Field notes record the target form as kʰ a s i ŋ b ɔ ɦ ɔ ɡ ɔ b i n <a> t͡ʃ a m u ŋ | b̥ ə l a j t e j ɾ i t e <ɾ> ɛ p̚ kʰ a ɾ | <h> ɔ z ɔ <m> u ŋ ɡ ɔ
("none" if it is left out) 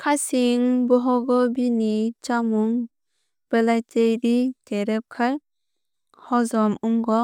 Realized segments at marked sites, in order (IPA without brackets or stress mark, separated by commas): i, ɾ, h, m